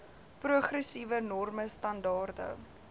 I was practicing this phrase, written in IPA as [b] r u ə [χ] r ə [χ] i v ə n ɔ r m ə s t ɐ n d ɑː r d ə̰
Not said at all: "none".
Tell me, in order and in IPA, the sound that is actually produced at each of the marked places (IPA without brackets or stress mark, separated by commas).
p, χ, s